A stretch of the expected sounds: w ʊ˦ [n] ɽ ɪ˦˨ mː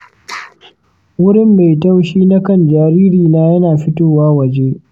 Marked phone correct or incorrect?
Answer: incorrect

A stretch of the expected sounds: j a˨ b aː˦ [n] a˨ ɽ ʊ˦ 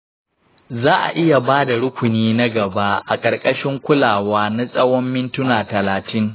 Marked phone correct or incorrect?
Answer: incorrect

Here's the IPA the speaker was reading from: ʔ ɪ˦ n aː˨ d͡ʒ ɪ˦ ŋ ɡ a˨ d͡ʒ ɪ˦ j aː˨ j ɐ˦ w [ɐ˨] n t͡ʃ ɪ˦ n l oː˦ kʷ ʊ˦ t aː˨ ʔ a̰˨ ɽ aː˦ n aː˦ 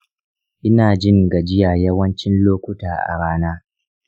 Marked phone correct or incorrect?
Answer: incorrect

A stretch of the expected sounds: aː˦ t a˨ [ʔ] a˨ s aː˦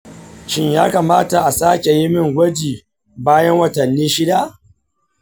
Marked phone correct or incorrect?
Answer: correct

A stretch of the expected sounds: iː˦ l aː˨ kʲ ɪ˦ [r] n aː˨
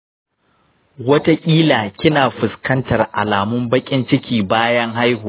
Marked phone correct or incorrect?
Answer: incorrect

